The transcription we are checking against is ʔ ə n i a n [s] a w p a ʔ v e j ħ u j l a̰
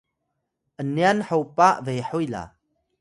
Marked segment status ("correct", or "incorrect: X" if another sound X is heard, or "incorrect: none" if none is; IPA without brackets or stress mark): incorrect: ħ